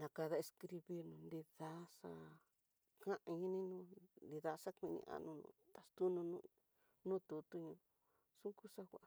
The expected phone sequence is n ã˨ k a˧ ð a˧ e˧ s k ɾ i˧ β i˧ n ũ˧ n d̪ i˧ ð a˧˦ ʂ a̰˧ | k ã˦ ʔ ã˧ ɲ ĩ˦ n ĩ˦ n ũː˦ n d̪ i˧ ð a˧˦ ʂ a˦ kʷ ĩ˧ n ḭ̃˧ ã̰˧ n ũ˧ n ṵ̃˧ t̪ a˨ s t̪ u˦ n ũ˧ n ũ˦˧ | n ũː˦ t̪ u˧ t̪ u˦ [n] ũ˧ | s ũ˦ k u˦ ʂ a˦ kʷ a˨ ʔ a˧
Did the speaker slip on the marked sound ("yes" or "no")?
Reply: yes